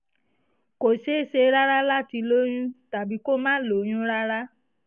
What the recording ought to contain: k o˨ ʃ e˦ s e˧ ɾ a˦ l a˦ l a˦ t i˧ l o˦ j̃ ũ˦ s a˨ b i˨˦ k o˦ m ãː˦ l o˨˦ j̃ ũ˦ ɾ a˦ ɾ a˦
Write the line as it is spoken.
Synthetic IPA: k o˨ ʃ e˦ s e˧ ɾ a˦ ɾ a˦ l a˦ t i˧ l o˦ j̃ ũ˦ t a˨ b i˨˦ k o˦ m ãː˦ l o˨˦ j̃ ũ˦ ɾ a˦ ɾ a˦